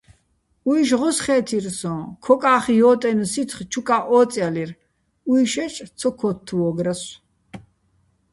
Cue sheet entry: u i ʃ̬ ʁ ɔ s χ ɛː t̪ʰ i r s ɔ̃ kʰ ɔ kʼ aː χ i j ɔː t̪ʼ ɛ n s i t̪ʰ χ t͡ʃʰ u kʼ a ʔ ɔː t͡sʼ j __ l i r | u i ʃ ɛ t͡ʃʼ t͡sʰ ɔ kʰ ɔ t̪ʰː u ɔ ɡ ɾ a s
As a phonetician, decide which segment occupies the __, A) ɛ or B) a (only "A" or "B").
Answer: B